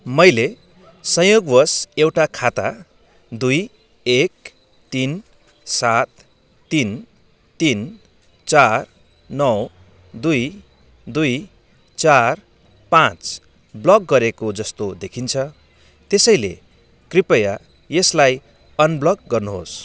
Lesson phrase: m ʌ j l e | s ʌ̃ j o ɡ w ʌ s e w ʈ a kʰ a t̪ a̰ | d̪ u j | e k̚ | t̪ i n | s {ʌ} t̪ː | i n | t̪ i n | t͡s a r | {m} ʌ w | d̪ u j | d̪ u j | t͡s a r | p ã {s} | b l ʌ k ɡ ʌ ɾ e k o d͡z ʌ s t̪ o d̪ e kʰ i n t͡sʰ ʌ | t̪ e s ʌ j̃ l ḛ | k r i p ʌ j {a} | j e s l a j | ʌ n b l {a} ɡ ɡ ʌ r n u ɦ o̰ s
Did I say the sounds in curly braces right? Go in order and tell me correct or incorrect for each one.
incorrect, incorrect, incorrect, correct, incorrect

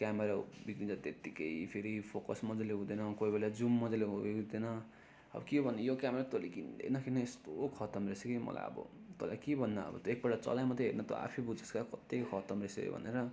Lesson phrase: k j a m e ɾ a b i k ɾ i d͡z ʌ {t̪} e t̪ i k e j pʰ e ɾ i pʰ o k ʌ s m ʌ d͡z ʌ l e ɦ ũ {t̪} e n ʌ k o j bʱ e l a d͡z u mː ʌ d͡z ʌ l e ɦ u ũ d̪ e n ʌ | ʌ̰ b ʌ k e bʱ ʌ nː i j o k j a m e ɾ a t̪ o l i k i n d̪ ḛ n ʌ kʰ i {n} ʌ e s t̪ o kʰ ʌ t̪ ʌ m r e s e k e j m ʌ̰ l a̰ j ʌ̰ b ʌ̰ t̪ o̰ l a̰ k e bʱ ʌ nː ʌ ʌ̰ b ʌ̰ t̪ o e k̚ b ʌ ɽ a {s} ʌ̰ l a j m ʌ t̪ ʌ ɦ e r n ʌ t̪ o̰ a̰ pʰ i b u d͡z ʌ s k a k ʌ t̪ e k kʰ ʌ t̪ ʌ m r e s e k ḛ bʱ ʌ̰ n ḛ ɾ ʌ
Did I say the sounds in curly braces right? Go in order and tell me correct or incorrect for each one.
correct, incorrect, correct, incorrect

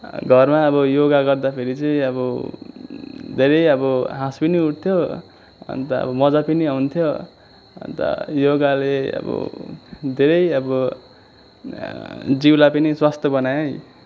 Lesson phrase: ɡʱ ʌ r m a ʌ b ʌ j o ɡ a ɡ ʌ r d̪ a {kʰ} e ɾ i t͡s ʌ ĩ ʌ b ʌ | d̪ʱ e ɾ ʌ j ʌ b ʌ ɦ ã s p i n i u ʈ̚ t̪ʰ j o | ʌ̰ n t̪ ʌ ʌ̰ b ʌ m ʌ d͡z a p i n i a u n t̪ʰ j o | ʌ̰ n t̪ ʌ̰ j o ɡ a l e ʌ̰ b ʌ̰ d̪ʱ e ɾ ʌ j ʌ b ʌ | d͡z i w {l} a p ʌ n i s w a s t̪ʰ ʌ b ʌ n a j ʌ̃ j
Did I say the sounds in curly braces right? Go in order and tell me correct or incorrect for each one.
incorrect, correct

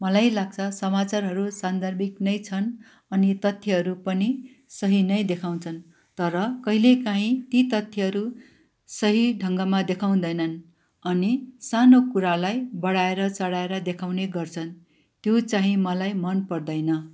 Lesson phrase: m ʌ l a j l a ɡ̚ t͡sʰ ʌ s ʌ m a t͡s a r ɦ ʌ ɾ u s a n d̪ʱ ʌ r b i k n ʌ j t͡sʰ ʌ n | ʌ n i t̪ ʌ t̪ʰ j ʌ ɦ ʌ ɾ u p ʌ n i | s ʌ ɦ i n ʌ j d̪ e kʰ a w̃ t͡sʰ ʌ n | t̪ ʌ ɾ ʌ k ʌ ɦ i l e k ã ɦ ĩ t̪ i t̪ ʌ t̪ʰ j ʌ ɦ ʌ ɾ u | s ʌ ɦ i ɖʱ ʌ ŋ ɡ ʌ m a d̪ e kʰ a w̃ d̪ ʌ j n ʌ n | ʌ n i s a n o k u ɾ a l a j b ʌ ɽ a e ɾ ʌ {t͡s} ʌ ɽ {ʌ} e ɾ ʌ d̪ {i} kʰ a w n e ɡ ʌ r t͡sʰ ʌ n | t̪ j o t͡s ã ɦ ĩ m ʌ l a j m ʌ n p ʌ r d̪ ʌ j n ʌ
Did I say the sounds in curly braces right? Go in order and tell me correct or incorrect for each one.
correct, incorrect, incorrect

